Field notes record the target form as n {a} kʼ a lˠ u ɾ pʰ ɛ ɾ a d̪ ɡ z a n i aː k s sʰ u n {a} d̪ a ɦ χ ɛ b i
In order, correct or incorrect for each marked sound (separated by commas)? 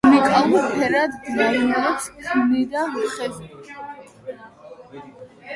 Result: incorrect, incorrect